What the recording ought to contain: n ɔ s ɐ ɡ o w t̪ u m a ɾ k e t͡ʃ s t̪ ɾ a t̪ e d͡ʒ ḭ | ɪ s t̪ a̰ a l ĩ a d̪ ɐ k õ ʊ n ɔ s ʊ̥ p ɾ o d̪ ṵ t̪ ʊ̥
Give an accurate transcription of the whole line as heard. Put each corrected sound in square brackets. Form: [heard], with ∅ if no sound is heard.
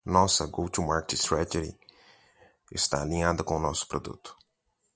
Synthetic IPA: n ɔ s ɐ ɡ o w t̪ u m a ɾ k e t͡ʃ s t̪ ɾ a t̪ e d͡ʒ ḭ | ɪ s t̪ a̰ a l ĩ a d̪ ɐ k õ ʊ n ɔ s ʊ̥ p ɾ o d̪ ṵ t̪ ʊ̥